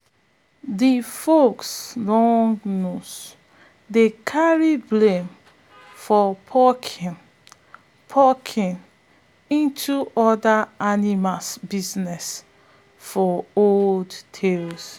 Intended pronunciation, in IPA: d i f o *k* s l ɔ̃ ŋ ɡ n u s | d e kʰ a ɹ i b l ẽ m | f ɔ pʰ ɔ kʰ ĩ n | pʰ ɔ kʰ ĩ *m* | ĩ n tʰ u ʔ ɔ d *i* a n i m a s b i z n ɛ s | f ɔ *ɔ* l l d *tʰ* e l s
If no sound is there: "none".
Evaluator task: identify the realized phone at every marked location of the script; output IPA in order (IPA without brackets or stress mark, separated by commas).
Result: k, n, a, o, tʰ